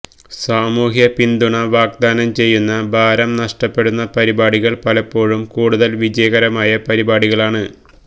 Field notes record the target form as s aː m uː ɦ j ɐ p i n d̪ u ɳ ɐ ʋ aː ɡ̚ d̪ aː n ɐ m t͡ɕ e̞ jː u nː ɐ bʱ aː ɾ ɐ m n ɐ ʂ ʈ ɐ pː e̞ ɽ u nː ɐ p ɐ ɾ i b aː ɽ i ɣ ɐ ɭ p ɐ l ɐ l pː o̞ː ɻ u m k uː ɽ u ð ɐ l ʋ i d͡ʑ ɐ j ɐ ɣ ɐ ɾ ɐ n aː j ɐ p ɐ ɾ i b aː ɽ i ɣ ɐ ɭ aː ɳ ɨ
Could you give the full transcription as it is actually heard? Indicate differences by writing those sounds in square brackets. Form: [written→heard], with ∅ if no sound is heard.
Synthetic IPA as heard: s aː m uː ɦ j ɐ p i n d̪ u ɳ ɐ ʋ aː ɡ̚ d̪ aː n ɐ m t͡ɕ e̞ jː u nː ɐ bʱ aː ɾ ɐ m n ɐ ʂ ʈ ɐ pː e̞ ɽ u nː ɐ p ɐ ɾ i b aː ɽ i ɣ ɐ ɭ p ɐ l ɐ [l→∅] pː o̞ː ɻ u m k uː ɽ u ð ɐ l ʋ i d͡ʑ ɐ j ɐ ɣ ɐ ɾ ɐ [n→m] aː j ɐ p ɐ ɾ i b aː ɽ i ɣ ɐ ɭ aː ɳ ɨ